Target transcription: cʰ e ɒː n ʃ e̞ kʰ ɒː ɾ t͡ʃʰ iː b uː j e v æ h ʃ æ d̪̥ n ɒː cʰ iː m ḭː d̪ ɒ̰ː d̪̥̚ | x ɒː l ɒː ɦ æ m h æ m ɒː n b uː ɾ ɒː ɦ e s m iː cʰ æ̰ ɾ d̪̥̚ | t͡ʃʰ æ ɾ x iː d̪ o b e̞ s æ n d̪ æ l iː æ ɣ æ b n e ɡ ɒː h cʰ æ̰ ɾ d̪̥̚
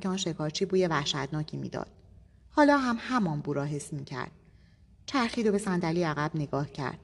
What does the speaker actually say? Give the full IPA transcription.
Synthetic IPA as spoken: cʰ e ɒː n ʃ e̞ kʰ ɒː ɾ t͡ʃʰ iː b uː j e v æ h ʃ æ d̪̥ n ɒː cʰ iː m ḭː d̪ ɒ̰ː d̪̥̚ | h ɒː l ɒː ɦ æ m h æ m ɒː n b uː ɾ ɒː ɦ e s m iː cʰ æ̰ ɾ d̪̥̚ | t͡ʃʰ æ ɾ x iː d̪ o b e̞ s æ n d̪ æ l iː æ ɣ æ b n e ɡ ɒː h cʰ æ̰ ɾ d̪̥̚